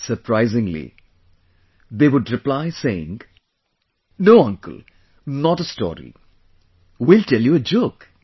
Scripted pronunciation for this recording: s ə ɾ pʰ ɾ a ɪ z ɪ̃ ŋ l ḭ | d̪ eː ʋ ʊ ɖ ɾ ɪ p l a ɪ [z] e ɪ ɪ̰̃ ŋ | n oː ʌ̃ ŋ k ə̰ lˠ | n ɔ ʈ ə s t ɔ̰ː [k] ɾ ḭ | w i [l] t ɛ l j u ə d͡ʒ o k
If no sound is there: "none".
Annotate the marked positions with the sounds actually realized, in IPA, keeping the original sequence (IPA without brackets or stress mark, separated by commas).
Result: s, none, l